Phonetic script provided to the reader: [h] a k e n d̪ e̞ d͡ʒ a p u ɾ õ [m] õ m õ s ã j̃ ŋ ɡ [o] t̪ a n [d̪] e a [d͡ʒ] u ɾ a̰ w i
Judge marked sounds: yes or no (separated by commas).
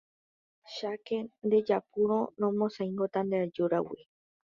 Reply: no, no, yes, yes, yes